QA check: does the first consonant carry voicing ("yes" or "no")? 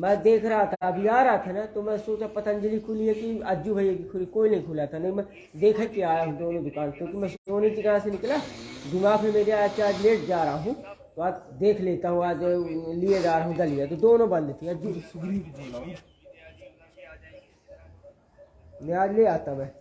yes